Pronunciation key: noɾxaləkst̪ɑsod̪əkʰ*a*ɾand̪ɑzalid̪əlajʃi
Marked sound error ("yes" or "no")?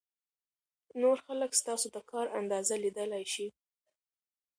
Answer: yes